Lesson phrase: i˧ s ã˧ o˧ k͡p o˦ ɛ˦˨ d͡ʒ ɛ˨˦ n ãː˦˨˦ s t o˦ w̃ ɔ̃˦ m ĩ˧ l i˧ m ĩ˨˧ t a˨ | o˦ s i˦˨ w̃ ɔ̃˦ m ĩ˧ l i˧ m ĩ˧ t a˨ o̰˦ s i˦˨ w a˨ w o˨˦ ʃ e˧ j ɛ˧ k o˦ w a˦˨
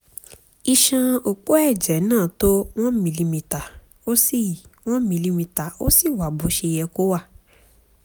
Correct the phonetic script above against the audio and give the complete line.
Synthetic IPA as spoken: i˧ ʃ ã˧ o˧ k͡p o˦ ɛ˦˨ d͡ʒ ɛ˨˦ n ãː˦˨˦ t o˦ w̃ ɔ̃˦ m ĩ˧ l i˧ m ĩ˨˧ t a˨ | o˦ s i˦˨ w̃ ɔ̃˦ m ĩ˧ l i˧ m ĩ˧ t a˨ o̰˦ s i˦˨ w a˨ b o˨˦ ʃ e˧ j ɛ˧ k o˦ w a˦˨

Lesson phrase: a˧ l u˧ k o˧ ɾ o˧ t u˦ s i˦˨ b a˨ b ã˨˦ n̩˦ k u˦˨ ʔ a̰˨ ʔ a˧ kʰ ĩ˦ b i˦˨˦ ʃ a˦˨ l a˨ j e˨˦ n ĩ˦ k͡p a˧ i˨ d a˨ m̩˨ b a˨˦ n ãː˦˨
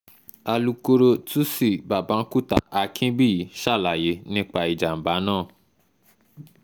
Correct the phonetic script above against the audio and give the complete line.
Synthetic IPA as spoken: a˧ l u˧ k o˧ ɾ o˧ t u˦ s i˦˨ b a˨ b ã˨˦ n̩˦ k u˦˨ t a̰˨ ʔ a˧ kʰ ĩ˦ b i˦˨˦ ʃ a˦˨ l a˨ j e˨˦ n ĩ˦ k͡p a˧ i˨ d͡ʒ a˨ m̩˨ b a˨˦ n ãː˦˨

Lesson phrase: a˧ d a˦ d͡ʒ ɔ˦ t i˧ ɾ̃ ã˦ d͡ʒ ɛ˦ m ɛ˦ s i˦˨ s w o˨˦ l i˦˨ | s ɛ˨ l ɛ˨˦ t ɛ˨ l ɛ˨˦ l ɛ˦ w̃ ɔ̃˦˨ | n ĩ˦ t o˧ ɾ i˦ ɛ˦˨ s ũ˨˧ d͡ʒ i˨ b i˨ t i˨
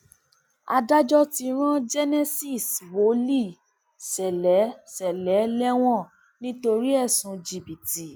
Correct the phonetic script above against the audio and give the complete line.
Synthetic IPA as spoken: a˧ d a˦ d͡ʒ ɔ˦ t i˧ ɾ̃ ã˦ d͡ʒ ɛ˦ n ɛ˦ s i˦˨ s w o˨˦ l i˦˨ | s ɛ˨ l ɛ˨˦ s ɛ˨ l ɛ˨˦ l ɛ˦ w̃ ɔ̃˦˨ | n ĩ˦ t o˧ ɾ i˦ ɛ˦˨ s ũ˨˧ d͡ʒ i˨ b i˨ t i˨

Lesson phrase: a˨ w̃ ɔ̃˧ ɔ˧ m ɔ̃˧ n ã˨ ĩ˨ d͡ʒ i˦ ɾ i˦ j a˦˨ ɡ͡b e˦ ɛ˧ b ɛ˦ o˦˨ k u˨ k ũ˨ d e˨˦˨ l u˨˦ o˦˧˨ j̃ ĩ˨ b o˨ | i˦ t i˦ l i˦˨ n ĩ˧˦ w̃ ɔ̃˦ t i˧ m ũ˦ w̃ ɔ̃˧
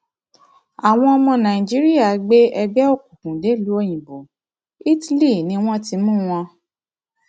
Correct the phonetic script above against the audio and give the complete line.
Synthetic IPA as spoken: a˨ w̃ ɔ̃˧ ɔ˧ m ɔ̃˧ n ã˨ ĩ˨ d͡ʒ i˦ ɾ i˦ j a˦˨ ɡ͡b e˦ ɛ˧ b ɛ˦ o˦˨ k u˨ k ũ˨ d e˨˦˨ l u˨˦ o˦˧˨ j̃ ĩ˨ b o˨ | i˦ t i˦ l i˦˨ n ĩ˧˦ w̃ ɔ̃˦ t i˧ m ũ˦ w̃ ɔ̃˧

